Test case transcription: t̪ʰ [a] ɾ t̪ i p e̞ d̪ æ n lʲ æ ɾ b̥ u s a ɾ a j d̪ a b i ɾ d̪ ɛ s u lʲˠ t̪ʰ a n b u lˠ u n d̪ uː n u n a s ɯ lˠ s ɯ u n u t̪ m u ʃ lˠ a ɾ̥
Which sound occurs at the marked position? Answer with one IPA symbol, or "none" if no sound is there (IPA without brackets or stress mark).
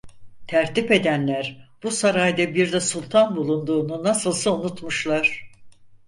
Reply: æ